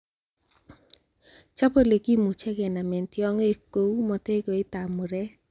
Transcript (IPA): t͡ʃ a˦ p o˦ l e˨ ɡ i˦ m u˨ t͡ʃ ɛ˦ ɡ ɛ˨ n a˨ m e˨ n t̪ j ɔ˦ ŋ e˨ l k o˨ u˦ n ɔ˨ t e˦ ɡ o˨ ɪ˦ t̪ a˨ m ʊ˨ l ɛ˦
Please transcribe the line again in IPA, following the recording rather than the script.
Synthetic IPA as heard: t͡ʃ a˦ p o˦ l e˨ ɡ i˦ m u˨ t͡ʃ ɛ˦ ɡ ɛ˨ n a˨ m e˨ n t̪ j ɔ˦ ŋ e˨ k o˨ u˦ m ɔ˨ t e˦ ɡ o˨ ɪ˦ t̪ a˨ m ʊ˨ ɾ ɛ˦